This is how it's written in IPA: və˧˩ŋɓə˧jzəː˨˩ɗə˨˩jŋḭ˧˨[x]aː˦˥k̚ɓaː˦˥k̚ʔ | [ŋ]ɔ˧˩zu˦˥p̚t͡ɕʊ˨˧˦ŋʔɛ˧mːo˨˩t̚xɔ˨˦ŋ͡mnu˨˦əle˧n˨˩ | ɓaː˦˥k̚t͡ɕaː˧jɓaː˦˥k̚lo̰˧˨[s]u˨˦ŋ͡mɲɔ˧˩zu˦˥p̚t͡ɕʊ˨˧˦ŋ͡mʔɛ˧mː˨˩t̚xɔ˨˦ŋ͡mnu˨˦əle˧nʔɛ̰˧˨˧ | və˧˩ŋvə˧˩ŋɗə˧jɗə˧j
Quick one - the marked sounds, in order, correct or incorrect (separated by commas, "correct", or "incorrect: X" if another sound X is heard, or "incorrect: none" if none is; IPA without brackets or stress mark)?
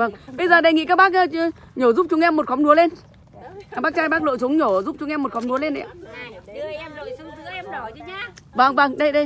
incorrect: k, incorrect: ɲ, correct